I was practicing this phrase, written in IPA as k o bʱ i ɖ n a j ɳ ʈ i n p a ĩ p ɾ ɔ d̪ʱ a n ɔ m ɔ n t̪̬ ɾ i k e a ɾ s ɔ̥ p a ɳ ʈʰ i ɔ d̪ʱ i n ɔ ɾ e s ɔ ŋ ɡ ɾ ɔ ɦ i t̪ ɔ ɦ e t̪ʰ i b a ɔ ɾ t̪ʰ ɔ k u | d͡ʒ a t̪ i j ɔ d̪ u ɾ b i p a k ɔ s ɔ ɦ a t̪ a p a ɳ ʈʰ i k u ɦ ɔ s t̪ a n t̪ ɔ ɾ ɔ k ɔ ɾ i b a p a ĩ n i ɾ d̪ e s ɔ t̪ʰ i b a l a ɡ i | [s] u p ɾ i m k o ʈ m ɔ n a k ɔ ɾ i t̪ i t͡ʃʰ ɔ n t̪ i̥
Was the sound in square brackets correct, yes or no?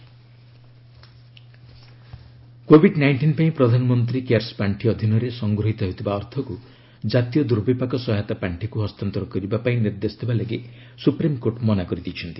yes